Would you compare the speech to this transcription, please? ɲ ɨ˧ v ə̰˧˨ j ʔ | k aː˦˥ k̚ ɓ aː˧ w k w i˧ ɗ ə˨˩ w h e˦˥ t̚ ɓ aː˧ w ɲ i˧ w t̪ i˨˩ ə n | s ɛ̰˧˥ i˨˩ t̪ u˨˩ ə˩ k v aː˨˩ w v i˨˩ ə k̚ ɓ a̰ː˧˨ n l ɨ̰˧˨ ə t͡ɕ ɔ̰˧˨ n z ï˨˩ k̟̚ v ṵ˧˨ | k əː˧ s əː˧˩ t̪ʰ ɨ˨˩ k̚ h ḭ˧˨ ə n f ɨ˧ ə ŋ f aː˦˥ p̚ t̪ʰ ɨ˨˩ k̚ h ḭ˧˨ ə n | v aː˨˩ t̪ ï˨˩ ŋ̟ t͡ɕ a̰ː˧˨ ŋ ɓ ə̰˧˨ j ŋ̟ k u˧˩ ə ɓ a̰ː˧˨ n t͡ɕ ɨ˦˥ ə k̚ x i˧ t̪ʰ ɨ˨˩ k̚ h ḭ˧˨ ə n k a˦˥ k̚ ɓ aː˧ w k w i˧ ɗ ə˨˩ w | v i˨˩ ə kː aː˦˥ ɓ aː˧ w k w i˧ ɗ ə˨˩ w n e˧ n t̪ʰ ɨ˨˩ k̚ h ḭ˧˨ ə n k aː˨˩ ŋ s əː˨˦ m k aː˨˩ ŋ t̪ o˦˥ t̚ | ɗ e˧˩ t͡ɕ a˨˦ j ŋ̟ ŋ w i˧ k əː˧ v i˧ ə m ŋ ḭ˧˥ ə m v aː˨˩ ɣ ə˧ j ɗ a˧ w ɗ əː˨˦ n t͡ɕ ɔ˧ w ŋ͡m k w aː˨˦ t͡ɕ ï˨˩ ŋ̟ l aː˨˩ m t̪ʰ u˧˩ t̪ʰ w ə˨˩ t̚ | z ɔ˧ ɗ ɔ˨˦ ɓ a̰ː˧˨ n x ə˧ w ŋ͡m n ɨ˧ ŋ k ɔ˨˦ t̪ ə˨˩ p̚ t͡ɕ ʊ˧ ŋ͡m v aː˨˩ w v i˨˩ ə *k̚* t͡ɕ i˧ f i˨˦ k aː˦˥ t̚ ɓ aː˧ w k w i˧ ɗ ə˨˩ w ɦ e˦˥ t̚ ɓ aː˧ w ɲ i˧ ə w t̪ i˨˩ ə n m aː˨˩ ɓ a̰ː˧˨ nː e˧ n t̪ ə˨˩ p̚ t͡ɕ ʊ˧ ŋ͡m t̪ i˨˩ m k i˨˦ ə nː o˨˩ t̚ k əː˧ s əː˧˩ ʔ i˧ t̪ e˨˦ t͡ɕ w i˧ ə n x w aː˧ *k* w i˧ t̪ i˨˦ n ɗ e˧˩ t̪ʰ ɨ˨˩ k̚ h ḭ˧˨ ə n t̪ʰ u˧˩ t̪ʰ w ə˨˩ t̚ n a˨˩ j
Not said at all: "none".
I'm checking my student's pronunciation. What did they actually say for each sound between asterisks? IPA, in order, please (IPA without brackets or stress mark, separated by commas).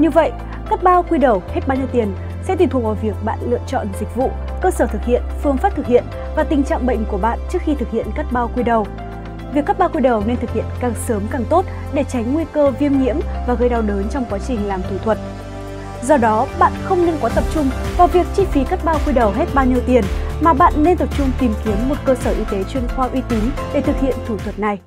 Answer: k̚, ʔ